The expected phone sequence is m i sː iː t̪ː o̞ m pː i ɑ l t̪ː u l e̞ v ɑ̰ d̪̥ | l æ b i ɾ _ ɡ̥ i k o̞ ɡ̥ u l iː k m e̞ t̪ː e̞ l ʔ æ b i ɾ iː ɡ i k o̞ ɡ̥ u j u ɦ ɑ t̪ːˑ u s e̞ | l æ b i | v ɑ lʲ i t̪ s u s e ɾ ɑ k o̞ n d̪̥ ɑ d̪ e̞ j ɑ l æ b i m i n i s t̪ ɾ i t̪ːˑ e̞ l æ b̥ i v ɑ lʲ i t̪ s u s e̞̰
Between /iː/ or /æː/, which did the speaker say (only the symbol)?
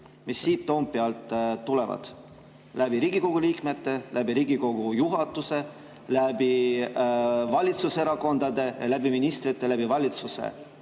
iː